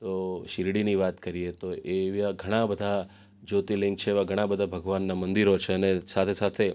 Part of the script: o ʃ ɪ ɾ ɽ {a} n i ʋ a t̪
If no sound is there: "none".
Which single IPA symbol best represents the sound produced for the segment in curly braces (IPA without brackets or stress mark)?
i